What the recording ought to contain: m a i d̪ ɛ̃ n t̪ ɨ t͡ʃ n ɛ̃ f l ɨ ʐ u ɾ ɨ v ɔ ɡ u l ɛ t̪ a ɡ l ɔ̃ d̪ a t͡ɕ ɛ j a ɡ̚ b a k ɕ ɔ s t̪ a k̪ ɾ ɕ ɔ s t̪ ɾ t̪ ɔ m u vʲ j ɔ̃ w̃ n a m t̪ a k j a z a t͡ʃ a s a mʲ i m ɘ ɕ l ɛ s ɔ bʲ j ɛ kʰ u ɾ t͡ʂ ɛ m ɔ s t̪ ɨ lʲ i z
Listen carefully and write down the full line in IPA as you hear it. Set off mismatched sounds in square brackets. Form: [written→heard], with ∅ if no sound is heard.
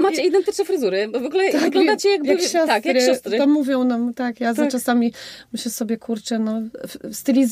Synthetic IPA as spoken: m a i d̪ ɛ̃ n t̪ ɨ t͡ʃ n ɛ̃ f [l→ɾ] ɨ [ʐ→z] u ɾ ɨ v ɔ ɡ u l ɛ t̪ a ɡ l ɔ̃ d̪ a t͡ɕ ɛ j a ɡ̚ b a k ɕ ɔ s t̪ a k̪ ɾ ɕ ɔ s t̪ ɾ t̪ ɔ m u vʲ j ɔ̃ w̃ n a m t̪ a k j a z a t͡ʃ a s a mʲ i m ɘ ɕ l ɛ s ɔ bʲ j ɛ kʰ u ɾ t͡ʂ ɛ [m→n] ɔ s t̪ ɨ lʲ i z